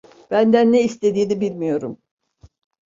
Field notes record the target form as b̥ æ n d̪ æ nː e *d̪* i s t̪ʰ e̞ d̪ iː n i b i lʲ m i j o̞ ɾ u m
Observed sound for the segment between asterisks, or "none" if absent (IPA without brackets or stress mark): none